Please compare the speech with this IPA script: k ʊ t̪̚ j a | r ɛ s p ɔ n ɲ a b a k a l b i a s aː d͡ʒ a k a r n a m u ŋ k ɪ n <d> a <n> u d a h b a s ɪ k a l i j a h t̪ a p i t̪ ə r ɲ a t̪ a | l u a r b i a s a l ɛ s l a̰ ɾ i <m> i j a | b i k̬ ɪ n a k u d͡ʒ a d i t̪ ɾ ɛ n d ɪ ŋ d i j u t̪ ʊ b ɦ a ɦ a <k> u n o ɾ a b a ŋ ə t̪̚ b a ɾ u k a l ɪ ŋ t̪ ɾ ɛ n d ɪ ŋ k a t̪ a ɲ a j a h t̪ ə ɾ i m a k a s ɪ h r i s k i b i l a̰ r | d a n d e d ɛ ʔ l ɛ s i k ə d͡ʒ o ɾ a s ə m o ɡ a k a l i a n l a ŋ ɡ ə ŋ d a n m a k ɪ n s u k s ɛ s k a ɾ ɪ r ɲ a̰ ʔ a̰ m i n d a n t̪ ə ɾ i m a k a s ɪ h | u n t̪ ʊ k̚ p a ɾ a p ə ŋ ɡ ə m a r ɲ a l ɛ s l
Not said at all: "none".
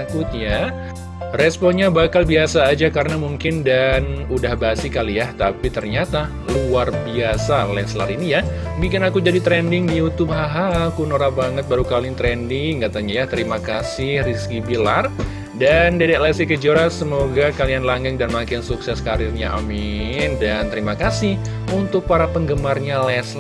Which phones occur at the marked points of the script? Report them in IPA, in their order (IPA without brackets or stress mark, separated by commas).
d, n, n, k